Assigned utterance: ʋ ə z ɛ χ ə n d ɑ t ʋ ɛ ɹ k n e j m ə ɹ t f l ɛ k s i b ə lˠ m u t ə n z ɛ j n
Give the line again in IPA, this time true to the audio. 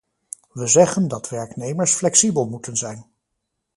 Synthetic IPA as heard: ʋ ə z ɛ χ ə n d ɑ t ʋ ɛ ɹ k n e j m ə ɹ s f l ɛ k s i b ə lˠ m u t ə n z ɛ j n